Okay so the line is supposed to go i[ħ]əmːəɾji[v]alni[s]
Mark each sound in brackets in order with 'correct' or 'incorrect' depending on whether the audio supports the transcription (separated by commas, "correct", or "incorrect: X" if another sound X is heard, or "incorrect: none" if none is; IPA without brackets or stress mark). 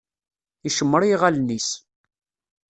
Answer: incorrect: ʃ, incorrect: ʁ, correct